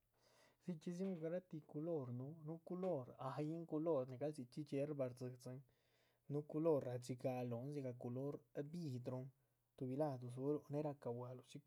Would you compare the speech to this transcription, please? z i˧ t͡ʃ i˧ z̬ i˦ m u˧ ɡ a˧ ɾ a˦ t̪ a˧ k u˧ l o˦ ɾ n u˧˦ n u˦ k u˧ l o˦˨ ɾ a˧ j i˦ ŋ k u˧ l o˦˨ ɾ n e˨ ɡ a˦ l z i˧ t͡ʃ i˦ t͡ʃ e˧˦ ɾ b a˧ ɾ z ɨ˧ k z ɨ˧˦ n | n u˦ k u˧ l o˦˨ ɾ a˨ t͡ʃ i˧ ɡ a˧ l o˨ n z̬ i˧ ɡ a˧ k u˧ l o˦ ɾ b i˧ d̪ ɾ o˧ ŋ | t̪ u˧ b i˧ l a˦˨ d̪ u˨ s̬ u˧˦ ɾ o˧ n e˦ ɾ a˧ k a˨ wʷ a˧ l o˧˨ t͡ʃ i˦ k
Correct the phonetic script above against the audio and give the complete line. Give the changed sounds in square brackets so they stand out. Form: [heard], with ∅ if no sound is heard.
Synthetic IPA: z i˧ t͡ʃ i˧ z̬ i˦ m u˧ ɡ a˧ ɾ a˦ t̪ [i˧] k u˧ l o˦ ɾ n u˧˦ n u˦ k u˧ l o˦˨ ɾ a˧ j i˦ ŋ k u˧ l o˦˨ ɾ n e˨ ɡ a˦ l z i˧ t͡ʃ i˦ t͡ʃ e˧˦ ɾ b a˧ ɾ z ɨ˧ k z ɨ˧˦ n | n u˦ k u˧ l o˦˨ ɾ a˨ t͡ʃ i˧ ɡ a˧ l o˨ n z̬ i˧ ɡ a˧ k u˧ l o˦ ɾ b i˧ d̪ ɾ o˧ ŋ | t̪ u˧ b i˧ l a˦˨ d̪ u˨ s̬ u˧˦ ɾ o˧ n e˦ ɾ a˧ k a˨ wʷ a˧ l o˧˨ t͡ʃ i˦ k